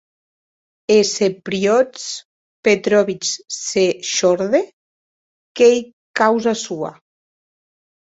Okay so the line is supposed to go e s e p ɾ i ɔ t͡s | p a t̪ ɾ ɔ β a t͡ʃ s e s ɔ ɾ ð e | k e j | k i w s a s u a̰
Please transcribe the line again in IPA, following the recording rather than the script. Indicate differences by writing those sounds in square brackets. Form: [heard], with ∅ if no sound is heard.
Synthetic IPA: e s e p ɾ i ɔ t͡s | p [e] t̪ ɾ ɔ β [i] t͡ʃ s e [ʃ] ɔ ɾ ð e | k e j | k [a] w [z] a s u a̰